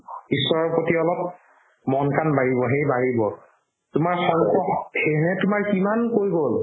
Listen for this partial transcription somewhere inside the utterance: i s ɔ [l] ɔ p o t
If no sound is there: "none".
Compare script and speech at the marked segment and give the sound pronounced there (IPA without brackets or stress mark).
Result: ɹ